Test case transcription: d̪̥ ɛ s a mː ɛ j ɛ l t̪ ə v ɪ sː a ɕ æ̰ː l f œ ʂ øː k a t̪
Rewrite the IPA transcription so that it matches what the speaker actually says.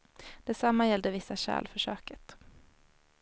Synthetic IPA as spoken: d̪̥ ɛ s a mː a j ɛ l d̪ ə v ɪ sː a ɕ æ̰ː l f œ ʂ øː k ə t̪